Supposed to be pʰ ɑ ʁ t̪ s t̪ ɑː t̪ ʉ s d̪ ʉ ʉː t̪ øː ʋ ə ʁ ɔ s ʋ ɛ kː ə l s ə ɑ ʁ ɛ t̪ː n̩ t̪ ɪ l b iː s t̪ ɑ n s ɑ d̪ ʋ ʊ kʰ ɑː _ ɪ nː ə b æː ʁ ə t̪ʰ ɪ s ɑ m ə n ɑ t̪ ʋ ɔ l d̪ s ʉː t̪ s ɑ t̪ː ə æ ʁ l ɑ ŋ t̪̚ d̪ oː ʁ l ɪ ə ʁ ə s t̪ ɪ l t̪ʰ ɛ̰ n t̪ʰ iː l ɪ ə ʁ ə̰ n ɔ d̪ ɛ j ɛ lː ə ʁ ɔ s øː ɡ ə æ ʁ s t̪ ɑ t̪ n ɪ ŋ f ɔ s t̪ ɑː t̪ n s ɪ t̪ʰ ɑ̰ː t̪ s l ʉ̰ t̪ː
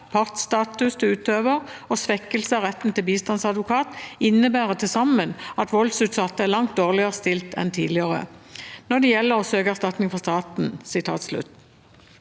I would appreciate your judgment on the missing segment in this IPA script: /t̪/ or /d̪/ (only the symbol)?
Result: t̪